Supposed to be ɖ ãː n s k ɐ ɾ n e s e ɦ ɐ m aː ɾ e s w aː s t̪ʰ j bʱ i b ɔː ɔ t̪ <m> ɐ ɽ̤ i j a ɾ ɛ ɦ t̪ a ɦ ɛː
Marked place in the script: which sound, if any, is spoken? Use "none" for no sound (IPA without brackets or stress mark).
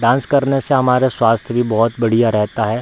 b